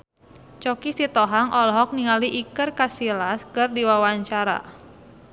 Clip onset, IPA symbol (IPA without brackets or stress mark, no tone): t͡ʃ